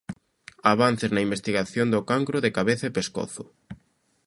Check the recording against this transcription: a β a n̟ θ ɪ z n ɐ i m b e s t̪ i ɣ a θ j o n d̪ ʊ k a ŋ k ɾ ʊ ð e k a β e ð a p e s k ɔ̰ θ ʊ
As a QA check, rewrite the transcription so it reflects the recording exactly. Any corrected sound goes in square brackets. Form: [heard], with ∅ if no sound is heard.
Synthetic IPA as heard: a β a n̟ θ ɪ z n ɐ i m b e s t̪ i ɣ a θ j o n d̪ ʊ k a ŋ k ɾ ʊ ð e k a β e [θ] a p e s k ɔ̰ θ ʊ